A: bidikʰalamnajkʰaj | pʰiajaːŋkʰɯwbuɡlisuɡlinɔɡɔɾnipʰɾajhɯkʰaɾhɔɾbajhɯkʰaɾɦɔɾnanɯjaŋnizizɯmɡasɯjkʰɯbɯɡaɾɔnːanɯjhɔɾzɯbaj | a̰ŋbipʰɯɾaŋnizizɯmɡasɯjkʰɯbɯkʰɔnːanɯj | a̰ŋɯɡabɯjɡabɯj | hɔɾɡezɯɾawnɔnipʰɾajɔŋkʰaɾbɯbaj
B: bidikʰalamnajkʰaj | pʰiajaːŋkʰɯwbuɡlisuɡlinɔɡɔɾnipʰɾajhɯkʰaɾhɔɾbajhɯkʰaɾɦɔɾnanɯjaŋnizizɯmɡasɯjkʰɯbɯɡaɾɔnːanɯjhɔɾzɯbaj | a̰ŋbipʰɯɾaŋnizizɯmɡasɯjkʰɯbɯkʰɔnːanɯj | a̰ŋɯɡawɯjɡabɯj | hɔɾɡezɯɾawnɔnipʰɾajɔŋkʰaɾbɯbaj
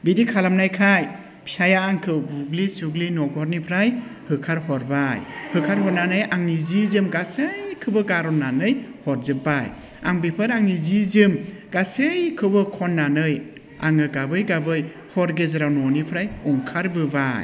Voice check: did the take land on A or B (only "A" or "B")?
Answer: A